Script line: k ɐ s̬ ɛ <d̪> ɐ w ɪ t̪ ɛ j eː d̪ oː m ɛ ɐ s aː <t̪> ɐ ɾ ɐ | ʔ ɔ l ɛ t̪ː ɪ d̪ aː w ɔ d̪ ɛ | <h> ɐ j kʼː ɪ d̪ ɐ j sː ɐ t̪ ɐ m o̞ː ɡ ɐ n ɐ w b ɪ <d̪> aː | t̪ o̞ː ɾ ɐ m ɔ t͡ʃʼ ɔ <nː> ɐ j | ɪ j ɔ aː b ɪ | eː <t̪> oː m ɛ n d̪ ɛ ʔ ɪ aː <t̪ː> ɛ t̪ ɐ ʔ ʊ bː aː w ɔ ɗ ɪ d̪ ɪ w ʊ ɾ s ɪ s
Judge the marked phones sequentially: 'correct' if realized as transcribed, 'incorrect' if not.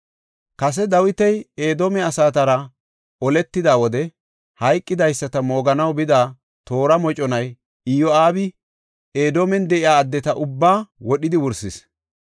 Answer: correct, correct, correct, correct, incorrect: n, incorrect: d̪, incorrect: d̪ː

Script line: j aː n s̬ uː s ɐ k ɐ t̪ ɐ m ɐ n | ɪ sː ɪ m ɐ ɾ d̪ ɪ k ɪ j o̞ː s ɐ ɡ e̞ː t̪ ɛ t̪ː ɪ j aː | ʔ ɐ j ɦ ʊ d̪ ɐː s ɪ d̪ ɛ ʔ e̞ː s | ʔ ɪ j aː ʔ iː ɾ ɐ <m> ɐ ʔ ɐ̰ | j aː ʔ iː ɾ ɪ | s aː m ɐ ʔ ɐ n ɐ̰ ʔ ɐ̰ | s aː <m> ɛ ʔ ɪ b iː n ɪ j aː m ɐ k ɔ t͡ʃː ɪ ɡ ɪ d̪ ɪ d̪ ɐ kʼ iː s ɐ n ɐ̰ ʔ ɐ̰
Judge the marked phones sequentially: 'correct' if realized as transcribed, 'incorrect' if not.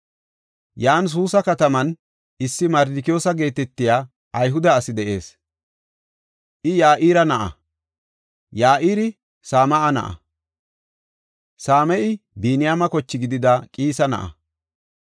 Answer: incorrect: n, correct

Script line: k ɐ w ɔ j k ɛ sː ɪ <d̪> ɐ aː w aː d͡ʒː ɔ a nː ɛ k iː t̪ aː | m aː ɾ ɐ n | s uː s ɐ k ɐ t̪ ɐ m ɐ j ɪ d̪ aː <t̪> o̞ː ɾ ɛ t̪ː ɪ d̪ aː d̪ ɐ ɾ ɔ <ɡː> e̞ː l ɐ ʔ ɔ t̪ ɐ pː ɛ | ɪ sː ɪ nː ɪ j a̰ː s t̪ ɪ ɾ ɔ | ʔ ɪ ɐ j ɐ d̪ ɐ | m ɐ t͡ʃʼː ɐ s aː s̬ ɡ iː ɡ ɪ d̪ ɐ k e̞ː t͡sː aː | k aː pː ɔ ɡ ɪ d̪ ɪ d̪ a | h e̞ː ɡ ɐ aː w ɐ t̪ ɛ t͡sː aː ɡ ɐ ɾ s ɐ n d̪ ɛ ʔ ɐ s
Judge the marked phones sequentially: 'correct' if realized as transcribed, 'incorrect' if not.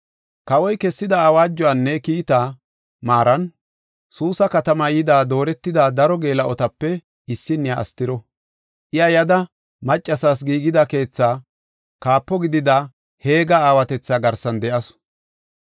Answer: correct, incorrect: d̪, incorrect: ɡ

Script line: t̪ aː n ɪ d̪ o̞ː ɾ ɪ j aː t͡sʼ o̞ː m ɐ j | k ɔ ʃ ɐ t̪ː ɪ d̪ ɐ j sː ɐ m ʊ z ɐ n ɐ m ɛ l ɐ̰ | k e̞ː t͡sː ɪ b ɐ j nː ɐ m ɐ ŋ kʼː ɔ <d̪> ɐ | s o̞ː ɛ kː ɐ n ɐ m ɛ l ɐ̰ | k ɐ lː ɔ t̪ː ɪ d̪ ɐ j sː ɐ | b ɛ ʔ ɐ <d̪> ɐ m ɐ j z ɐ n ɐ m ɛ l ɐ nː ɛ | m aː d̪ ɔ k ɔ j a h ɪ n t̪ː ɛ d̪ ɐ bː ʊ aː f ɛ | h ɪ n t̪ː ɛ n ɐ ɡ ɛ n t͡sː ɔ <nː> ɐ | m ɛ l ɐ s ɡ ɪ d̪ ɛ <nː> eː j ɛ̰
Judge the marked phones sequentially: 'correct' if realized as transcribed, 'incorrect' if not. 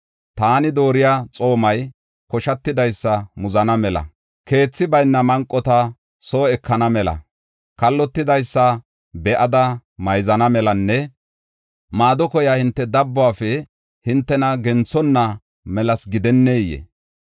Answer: incorrect: t̪, correct, correct, correct

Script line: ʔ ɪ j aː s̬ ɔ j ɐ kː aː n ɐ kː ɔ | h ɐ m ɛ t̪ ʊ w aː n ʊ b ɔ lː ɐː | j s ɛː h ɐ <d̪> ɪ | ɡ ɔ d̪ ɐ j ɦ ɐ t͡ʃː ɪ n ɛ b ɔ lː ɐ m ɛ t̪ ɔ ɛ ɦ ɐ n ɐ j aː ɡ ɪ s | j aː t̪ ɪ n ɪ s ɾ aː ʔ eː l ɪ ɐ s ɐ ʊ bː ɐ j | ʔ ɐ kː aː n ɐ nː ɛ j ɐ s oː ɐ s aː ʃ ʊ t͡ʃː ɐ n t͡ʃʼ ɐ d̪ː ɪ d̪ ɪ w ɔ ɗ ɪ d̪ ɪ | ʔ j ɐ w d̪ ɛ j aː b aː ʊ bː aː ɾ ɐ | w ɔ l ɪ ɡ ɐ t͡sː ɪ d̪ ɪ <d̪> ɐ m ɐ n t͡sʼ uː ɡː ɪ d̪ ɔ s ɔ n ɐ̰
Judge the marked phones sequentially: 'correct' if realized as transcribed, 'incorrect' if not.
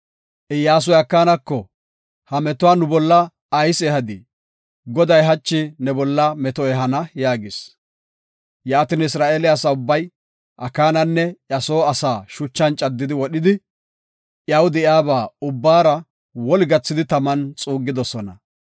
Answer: correct, incorrect: t̪

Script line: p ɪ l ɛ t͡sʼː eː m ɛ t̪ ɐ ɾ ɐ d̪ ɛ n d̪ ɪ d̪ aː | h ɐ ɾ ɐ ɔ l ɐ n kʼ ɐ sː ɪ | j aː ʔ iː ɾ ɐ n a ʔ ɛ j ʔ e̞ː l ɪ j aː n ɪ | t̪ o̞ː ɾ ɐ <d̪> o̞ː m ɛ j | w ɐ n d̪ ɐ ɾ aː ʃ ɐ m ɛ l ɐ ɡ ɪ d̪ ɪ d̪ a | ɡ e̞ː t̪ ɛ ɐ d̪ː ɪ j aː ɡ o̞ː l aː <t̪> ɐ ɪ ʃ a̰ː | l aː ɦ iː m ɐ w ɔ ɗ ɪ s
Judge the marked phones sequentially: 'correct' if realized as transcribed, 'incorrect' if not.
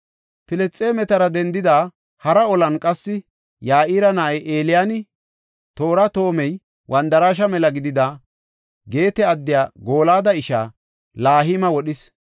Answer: incorrect: t̪, incorrect: d̪

